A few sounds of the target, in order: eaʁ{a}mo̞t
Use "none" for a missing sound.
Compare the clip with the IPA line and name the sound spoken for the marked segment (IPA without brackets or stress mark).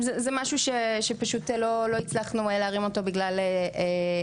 i